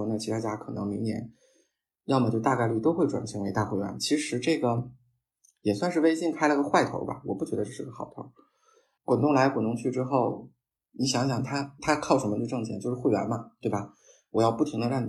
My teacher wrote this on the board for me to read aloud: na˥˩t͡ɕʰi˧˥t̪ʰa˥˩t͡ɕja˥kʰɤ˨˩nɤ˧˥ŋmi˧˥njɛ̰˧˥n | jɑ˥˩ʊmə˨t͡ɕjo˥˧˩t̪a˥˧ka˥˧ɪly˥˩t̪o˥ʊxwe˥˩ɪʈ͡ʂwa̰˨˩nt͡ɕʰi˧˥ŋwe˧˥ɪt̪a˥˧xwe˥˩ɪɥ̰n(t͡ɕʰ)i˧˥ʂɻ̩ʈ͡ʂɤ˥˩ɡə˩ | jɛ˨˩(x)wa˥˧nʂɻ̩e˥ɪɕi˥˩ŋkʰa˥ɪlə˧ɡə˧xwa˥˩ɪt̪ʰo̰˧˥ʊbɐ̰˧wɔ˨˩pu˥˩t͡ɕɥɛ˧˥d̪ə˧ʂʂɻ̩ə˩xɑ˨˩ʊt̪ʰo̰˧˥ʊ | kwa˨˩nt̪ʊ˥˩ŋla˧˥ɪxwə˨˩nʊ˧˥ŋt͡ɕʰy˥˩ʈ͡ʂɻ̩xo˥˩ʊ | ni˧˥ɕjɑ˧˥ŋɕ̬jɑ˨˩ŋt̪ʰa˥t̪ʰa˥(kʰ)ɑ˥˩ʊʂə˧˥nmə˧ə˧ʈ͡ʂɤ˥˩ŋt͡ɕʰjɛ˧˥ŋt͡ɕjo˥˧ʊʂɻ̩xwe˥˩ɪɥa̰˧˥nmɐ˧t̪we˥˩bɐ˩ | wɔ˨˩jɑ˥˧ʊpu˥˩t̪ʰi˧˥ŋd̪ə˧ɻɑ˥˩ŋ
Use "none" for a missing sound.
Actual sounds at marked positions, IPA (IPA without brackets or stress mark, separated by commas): t͡ɕʰ, s, kʰ